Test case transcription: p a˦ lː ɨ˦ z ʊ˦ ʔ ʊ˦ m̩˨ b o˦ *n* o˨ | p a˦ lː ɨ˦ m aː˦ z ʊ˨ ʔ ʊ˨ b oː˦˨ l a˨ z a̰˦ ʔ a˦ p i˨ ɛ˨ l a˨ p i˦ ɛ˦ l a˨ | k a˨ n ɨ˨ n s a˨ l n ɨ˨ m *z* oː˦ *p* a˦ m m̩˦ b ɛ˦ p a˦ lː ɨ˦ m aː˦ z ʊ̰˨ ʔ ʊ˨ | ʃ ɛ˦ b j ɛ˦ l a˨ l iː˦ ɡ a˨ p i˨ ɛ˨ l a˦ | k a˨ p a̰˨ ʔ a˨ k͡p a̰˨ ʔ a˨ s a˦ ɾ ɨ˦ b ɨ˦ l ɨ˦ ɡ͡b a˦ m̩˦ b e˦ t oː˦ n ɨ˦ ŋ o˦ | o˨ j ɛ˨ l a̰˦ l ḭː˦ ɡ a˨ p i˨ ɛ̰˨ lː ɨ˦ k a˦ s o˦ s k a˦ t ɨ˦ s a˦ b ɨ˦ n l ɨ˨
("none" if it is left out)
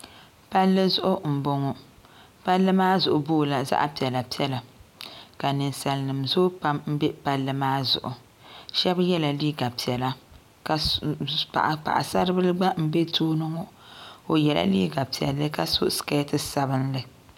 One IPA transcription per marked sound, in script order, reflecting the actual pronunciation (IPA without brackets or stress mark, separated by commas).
ŋ, z, p